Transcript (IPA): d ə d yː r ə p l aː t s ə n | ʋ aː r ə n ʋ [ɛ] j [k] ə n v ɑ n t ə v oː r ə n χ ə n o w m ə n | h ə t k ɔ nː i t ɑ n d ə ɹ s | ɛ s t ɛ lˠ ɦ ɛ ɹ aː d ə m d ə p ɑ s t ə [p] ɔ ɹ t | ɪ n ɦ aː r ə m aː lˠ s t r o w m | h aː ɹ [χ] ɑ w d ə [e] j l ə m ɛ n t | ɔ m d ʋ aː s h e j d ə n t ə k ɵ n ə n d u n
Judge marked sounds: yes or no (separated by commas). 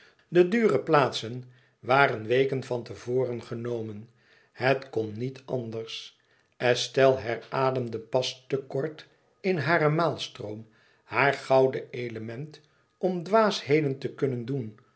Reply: no, yes, no, yes, yes